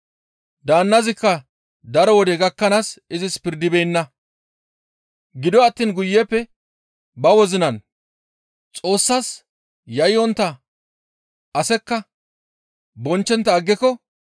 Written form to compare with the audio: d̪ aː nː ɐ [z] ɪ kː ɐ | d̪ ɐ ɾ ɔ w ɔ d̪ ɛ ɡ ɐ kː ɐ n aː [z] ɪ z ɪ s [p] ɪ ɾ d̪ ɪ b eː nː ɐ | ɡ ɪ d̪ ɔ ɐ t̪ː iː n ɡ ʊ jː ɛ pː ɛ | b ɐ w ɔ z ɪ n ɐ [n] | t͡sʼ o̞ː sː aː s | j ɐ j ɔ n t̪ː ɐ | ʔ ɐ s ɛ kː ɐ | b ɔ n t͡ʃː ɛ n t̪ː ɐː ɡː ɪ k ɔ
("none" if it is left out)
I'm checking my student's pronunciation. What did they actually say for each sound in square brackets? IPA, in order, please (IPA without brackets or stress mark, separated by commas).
z, s, p, n